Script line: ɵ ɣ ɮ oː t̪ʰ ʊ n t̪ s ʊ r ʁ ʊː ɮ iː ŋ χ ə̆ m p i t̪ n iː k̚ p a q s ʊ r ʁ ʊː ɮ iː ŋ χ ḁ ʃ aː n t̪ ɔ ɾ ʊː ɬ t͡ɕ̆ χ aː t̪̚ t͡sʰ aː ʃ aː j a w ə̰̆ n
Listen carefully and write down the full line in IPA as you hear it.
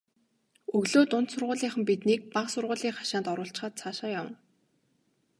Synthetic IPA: ɵ ɣ ɮ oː t̪ ʊ n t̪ s ʊ r ʁ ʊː ɮ iː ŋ χ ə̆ m p i t̪ n iː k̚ p a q s ʊ r ʁ ʊː ɮ iː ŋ χ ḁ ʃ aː n t̪ ɔ ɾ ʊː ɬ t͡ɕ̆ χ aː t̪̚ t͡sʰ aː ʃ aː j a w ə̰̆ n

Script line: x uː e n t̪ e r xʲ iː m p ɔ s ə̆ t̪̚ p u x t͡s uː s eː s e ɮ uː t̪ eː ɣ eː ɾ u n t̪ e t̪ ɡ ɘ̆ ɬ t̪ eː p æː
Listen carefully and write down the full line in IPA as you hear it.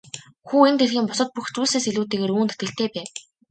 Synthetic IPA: x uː e n t̪ e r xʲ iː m p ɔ s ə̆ t̪̚ p u x t͡s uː s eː s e ɮ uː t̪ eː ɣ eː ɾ uː n t̪ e t̪ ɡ ɘ̆ ɬ t̪ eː p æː

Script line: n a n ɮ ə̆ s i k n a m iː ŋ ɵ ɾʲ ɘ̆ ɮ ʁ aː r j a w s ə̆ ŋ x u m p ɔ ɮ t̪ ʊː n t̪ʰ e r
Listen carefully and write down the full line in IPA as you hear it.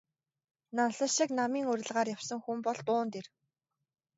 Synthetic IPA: n a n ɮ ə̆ ʃ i k n a m iː ŋ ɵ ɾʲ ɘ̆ ɮ ʁ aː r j a w s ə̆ ŋ x u m p ɔ ɮ t̪ ʊː n t̪ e r

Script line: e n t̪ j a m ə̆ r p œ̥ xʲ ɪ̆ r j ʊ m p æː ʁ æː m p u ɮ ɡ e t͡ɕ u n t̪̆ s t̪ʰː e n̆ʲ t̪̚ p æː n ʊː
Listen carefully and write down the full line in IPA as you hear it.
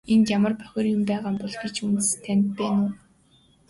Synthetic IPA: e n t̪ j a m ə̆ r p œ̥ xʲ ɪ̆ r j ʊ m p æː ʁ aː m p ɔ ɮ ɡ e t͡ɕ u n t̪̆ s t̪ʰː æ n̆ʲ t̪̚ p æː n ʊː

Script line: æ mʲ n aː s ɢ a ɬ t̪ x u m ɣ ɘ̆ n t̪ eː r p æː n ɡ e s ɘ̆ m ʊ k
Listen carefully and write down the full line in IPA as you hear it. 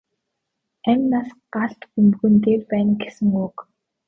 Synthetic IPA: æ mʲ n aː s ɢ a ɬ t̪ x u m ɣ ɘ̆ n t̪ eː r p æː n ɡ e s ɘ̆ ŋ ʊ k

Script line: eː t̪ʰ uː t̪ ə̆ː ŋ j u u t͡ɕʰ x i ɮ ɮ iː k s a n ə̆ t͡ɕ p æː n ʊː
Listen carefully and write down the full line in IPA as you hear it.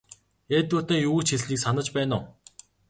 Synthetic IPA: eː t̪ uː t̪ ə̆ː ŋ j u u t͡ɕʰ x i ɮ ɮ iː k s a n ə̆ t͡ɕ p æː n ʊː

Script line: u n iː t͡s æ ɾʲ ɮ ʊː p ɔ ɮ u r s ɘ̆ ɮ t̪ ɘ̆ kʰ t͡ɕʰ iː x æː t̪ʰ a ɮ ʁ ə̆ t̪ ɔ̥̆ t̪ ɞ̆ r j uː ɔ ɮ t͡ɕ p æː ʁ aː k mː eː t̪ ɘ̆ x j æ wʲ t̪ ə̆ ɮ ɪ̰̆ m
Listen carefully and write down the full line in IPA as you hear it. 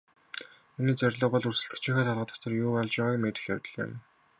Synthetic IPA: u n iː t͡s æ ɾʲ ɮ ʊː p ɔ ɮ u r s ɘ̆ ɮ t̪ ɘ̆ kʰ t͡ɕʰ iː x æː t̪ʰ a ɮ ʁ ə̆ t̪ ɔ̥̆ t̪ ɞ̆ r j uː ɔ ɮ t͡ɕ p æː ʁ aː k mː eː t̪ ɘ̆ x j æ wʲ t̪ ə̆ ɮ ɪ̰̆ m

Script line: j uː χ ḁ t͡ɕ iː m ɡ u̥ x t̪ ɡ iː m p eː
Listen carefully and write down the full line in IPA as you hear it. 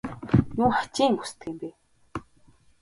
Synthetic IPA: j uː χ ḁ t͡ɕ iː ŋ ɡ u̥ s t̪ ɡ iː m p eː

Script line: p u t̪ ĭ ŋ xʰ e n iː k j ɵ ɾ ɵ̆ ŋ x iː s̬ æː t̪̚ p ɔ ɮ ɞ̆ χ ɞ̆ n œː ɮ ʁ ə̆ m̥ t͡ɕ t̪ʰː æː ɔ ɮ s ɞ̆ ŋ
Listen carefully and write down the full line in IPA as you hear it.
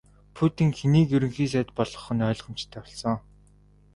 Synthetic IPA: pʰ u t̪ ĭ ŋ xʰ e n iː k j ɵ ɾ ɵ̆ ŋ x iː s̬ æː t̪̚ p ɔ ɮ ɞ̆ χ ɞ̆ n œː ɮ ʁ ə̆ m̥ t͡ɕ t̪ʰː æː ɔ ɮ s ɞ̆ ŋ

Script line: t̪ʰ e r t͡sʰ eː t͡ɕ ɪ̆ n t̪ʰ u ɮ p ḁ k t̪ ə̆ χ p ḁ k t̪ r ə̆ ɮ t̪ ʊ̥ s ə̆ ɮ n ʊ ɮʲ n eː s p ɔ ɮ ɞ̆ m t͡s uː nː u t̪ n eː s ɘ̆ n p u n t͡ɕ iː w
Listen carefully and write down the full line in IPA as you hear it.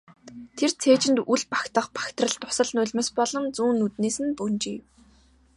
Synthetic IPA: t̪ʰ e r t͡sʰ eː t͡ɕ ɪ̆ n t̪ u ɮ p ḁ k t̪ ə̆ χ p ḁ k t̪ r ə̆ ɮ t̪ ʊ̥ s ə̆ ɮ n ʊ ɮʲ m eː s p ɔ ɮ ɞ̆ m t͡s uː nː u t̪ n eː s ɘ̆ n p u n t͡ɕ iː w

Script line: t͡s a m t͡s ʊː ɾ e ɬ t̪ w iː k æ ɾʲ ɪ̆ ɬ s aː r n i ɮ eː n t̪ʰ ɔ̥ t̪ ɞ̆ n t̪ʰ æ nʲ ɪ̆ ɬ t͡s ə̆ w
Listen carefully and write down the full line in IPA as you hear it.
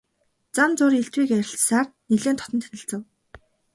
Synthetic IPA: t͡s a m t͡s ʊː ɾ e ɬ t̪ w iː k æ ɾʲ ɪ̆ ɬ s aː r n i ɮ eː n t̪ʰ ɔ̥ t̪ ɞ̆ n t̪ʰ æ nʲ ɪ̆ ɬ t͡s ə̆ w

